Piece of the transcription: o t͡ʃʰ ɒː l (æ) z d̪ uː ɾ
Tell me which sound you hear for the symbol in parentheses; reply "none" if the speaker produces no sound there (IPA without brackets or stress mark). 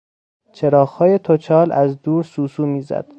æ